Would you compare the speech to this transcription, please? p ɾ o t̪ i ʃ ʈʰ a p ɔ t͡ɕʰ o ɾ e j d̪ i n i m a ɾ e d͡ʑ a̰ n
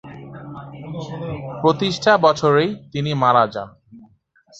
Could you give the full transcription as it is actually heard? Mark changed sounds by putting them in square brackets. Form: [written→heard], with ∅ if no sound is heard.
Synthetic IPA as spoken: p ɾ o t̪ i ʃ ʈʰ a [p→b] ɔ t͡ɕʰ o ɾ e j [d̪→t̪] i n i m a ɾ [e→a] d͡ʑ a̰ n